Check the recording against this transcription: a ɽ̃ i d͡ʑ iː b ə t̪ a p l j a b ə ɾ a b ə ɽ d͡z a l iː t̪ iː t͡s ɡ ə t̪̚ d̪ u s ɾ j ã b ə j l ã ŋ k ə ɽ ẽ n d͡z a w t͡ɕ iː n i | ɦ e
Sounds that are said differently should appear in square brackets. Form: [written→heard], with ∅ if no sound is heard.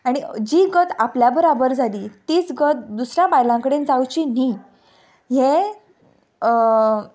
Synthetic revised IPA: a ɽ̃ i d͡ʑ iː [b→ɡ] ə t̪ a p l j a b ə ɾ a b ə [ɽ→ɾ] d͡z a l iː t̪ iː t͡s ɡ ə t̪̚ d̪ u s ɾ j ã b [ə→a] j l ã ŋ k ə ɽ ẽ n d͡z a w t͡ɕ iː n i | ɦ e